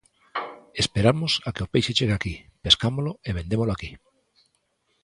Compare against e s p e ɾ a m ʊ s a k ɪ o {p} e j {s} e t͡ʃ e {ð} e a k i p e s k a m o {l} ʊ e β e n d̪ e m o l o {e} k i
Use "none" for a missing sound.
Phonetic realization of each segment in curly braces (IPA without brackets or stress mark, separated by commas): p, ʃ, ɣ, l, a